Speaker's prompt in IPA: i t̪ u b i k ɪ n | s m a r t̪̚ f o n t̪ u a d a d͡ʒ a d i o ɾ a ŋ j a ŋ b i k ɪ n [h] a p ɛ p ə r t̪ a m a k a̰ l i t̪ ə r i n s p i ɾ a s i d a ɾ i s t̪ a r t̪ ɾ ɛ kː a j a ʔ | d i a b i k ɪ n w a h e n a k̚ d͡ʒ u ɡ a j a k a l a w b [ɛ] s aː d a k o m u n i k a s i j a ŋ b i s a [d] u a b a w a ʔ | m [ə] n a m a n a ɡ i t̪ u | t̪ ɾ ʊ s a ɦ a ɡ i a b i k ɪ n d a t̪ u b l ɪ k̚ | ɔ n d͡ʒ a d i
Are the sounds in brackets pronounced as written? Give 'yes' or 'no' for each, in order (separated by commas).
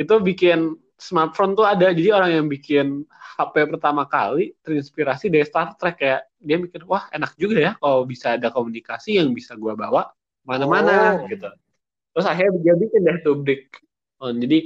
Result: yes, no, no, no